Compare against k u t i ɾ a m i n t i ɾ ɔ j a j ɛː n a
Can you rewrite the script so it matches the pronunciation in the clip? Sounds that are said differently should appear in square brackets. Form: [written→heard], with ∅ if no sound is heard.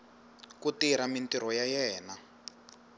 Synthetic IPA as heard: k u t i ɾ a m i n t i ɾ ɔ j a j ɛː n a